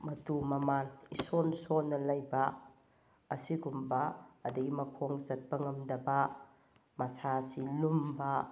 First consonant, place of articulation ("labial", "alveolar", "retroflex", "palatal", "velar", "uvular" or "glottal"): labial